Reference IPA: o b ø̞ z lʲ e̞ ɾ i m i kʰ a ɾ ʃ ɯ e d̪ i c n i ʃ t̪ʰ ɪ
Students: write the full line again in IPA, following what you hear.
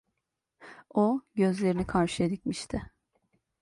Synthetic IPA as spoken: o ɟ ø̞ z lʲ e̞ ɾ i n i kʰ a ɾ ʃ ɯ e d̪ i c m i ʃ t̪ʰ ɪ